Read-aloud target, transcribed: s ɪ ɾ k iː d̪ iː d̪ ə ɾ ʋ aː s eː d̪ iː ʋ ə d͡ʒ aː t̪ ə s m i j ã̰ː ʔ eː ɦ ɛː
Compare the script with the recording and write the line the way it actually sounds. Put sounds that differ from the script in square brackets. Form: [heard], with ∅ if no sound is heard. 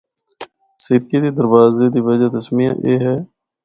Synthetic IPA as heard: s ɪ ɾ k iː d̪ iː d̪ ə ɾ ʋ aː [z] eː d̪ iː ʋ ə d͡ʒ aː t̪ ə s m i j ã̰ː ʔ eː ɦ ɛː

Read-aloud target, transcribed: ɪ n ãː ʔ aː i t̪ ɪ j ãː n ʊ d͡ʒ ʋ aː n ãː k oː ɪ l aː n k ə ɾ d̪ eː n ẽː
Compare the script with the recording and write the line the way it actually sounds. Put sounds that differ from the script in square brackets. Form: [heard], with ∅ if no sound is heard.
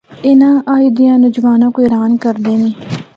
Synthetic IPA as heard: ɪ n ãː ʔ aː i [d̪] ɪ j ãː n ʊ d͡ʒ ʋ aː n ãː k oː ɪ [ɾ] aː n k ə ɾ d̪ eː n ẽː

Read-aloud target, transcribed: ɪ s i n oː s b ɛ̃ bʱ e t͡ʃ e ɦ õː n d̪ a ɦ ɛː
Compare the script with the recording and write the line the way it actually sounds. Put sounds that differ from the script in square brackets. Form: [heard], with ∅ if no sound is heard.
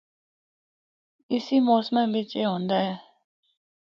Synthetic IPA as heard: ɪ s i [m] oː s [m] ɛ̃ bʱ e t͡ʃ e ɦ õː n d̪ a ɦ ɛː

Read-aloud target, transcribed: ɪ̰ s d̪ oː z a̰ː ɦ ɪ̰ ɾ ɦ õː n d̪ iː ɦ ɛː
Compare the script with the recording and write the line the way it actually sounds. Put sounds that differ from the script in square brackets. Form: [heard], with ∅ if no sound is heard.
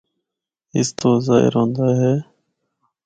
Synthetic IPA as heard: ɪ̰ s [t̪] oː z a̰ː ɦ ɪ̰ ɾ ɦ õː n d̪ [aː] ɦ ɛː

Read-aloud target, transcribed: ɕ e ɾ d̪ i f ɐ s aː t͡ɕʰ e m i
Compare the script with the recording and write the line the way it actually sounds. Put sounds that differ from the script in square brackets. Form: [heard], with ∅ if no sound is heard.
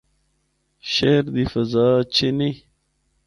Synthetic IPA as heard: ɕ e ɾ d̪ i f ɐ [z] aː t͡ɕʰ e [n] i

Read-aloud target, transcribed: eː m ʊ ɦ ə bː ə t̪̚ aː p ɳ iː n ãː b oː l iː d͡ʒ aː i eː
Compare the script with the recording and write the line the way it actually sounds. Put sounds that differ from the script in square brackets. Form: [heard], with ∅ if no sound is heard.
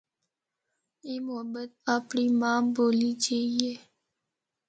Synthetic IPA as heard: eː m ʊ ɦ ə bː ə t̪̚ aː p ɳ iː [m] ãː b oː l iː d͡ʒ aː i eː

